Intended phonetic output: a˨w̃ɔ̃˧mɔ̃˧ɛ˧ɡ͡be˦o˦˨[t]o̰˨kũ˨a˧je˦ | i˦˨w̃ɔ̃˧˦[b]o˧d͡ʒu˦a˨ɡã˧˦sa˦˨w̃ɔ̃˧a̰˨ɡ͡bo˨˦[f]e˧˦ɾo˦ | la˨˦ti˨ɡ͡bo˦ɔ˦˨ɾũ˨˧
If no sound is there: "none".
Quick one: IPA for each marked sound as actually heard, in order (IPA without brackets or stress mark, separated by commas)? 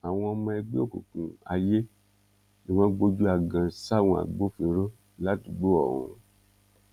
k, ɡ͡b, f